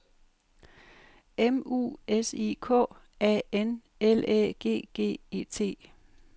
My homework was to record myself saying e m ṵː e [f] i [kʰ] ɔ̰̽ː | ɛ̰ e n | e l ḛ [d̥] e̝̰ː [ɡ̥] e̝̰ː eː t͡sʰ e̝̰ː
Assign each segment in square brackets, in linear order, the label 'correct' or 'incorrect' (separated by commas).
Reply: incorrect, correct, incorrect, correct